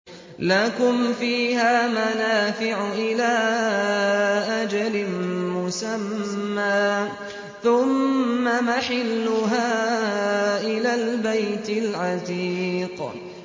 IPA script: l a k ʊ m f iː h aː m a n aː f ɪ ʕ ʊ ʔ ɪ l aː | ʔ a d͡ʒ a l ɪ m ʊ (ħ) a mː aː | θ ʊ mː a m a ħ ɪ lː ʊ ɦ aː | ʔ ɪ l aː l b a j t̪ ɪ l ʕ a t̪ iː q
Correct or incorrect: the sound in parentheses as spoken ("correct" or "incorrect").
incorrect